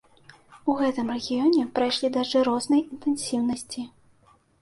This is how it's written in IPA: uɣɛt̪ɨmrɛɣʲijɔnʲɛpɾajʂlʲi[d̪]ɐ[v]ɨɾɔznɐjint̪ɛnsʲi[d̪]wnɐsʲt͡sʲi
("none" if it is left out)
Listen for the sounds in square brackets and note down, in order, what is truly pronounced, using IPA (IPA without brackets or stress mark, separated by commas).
d̪, ʐ, none